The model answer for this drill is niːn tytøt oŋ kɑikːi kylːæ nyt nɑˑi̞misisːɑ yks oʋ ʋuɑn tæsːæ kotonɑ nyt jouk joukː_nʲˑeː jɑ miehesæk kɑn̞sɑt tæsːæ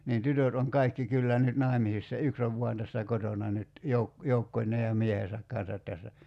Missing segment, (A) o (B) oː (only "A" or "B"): A